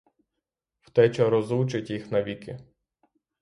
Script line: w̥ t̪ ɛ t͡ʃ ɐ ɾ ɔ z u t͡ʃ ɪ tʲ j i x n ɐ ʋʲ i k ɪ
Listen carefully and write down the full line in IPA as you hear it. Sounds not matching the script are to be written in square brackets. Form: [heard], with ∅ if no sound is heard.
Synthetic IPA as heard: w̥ t̪ ɛ t͡ʃ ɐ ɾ ɔ z u t͡ʃ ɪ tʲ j i x n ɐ ʋʲ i k ɪ

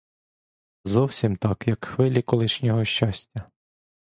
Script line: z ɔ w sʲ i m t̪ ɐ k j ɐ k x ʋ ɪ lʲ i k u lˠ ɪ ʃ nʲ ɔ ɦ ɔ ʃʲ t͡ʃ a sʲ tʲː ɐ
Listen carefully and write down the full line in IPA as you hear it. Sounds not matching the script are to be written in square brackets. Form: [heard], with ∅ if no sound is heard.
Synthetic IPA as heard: z ɔ w sʲ i m t̪ [ɑ] k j ɐ k x ʋ ɪ lʲ i k [ɔ] lˠ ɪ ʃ nʲ ɔ ɦ ɔ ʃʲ t͡ʃ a sʲ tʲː ɐ

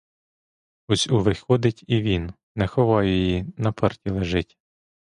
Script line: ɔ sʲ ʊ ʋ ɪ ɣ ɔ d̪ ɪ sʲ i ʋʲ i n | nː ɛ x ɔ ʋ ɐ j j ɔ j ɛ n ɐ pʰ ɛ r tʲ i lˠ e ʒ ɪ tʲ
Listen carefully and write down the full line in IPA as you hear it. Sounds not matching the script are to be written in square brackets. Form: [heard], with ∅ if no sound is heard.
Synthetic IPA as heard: ɔ sʲ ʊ ʋ ɪ [x] ɔ d̪ ɪ [tʲ] i ʋʲ i n | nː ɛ x ɔ ʋ [ɑ] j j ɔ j [i] n ɐ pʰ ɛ r tʲ i lˠ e ʒ ɪ tʲ

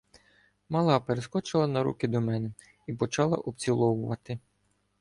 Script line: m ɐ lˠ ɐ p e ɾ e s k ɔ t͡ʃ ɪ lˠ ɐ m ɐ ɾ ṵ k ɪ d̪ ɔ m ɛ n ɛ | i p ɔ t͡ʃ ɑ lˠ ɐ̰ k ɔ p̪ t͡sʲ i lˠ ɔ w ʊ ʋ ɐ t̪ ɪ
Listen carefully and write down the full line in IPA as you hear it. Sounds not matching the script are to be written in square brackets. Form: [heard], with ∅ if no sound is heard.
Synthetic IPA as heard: m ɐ lˠ [ɑ] p e ɾ e s k ɔ t͡ʃ ɪ lˠ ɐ [n] ɐ ɾ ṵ k ɪ d̪ ɔ m ɛ n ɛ | i p ɔ t͡ʃ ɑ lˠ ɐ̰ [ʔ] ɔ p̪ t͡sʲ i lˠ ɔ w ʊ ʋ ɐ t̪ ɪ

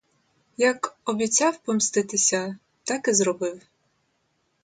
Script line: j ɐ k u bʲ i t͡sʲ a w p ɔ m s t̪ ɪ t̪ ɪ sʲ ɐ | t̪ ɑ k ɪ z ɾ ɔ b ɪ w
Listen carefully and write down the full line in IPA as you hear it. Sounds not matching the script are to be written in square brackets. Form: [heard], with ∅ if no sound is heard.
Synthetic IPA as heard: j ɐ k [ɔ] bʲ i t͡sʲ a w p ɔ m s t̪ ɪ t̪ ɪ sʲ ɐ | t̪ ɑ k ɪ z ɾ ɔ b ɪ w

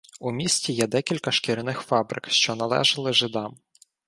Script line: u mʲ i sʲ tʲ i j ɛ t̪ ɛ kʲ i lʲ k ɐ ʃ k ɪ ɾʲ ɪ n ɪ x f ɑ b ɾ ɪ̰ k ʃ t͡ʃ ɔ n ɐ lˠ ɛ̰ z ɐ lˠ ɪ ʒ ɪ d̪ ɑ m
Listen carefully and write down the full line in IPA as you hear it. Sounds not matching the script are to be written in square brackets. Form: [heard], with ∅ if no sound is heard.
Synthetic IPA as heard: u mʲ i sʲ tʲ i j ɛ [d̪] ɛ kʲ i lʲ k ɐ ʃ k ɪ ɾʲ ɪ n ɪ x f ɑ b ɾ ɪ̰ k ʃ t͡ʃ ɔ n ɐ lˠ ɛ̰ [ʒ] ɐ lˠ ɪ ʒ ɪ d̪ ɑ m

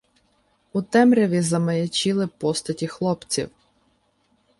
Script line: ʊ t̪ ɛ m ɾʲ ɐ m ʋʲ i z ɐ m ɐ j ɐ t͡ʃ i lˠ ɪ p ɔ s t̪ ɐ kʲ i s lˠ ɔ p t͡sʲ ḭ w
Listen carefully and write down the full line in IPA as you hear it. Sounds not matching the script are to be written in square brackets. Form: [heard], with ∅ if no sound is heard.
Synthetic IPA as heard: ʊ t̪ ɛ m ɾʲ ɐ [∅] ʋʲ i z ɐ m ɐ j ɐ t͡ʃ i lˠ ɪ p ɔ s t̪ ɐ [tʲ] i [x] lˠ ɔ p t͡sʲ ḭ w

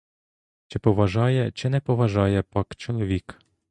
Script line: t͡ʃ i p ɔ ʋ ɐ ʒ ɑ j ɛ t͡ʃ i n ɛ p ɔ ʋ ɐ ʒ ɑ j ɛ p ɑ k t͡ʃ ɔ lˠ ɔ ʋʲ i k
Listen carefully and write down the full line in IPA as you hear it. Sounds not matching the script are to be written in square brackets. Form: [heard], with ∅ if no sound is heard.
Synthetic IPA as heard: t͡ʃ [ɪ] p ɔ ʋ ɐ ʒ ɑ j ɛ t͡ʃ [ɪ] n ɛ p ɔ ʋ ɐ ʒ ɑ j ɛ p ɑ k t͡ʃ ɔ lˠ ɔ ʋʲ i k

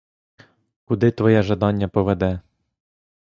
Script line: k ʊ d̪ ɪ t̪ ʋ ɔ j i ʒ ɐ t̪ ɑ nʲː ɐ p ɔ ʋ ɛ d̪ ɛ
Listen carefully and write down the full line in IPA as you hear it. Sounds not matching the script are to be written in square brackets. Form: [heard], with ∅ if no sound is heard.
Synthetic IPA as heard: k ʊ d̪ ɪ t̪ ʋ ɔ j [ɛ] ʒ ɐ [d̪] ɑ nʲː ɐ p ɔ ʋ ɛ d̪ ɛ

